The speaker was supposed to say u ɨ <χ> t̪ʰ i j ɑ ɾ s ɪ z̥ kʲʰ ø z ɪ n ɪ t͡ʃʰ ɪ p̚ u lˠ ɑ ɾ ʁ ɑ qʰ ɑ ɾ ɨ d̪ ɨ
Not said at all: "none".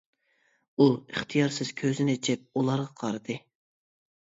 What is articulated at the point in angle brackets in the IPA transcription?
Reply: χ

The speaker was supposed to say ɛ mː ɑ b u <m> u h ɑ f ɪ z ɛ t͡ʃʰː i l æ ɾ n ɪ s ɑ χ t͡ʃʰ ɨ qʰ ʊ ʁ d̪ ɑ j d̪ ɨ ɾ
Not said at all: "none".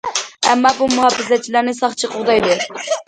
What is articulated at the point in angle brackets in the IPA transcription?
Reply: m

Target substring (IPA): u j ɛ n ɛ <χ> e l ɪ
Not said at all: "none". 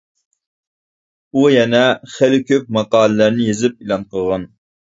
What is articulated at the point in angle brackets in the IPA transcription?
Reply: χ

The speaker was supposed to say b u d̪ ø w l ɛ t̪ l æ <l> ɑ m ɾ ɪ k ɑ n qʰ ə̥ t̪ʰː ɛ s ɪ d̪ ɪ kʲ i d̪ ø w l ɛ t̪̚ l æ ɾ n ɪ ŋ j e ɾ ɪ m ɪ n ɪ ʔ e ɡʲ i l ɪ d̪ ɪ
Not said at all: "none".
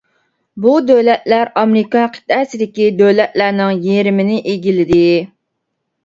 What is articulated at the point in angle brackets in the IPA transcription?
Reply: ɾ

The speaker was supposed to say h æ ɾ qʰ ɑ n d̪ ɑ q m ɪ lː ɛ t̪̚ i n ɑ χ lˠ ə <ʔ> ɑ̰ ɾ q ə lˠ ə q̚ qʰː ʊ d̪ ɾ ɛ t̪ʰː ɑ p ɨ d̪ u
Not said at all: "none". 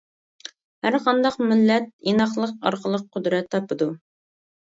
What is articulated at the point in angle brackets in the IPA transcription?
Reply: q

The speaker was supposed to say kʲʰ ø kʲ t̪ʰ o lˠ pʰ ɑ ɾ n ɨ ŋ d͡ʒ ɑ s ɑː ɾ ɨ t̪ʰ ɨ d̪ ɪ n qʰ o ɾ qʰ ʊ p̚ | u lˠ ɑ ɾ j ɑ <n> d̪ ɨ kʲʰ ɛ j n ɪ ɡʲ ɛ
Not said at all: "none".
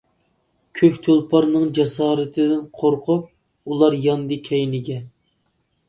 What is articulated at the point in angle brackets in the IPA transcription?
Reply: n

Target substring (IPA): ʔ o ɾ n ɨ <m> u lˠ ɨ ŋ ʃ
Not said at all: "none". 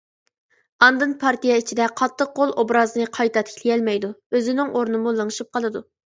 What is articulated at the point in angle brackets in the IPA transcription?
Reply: m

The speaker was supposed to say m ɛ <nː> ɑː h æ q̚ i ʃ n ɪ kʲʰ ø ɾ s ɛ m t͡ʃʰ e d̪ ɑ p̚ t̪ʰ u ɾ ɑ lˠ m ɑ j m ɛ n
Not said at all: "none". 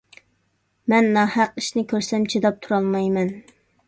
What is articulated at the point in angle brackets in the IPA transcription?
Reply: nː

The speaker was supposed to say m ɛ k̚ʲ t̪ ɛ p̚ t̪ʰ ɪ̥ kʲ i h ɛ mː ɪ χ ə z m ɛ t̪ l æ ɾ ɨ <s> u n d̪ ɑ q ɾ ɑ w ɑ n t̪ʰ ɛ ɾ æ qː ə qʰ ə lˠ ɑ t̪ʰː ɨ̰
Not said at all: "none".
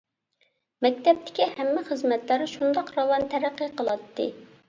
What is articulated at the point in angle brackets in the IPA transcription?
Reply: ʃ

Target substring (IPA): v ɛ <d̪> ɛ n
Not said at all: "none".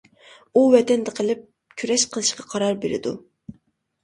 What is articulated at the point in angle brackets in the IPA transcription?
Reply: t̪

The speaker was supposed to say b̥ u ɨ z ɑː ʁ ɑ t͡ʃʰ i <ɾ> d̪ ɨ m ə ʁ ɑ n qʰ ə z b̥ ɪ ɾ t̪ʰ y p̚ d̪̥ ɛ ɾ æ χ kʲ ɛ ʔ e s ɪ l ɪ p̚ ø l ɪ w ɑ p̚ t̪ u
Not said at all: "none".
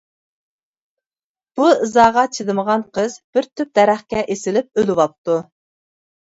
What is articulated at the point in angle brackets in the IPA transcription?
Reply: none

